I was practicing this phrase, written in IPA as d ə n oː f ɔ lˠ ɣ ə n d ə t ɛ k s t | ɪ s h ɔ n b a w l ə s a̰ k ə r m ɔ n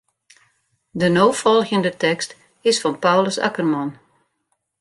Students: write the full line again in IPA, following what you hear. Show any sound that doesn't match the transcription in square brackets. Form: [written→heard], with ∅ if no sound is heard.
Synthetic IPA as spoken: d ə n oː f ɔ lˠ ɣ ə n d ə t ɛ k s t | ɪ s [h→f] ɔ n [b→p] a w l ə s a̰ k ə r m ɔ n